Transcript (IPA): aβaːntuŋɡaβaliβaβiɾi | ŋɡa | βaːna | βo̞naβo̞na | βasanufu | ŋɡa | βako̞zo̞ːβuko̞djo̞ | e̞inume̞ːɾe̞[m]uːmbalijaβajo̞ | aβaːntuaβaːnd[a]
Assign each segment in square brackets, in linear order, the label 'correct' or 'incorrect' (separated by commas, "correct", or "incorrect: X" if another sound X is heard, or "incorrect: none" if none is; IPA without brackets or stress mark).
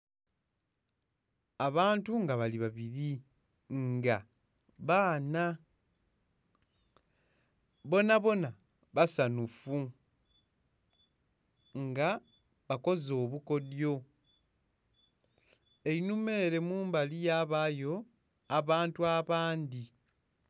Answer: correct, incorrect: i